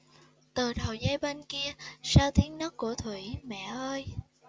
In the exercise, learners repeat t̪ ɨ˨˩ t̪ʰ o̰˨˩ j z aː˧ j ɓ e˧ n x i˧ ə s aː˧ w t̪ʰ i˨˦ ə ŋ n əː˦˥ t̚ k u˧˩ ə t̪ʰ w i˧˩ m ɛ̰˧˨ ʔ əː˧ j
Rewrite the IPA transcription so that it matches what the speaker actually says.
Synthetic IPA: t̪ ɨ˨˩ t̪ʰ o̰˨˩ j z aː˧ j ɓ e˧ n k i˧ ə s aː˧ w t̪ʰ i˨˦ ə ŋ n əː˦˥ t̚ k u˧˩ ə t̪ʰ w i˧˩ m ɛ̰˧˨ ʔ əː˧ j